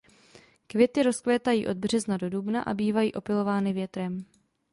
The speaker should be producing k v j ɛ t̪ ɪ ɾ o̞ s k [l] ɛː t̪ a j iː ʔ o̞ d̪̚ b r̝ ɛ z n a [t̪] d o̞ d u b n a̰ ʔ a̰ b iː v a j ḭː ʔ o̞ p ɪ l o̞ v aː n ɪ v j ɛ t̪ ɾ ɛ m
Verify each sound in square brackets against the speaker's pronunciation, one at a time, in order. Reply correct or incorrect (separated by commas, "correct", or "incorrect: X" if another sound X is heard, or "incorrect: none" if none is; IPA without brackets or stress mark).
correct, incorrect: none